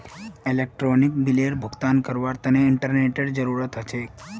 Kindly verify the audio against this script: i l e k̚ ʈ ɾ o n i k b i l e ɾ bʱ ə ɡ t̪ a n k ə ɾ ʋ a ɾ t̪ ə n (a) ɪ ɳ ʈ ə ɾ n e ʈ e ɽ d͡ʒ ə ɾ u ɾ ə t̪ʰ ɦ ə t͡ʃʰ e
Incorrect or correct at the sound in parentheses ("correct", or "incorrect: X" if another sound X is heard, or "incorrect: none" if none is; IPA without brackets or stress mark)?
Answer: incorrect: e